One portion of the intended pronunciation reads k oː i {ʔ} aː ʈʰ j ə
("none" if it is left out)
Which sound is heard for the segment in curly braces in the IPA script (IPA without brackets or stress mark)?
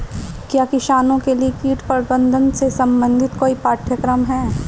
p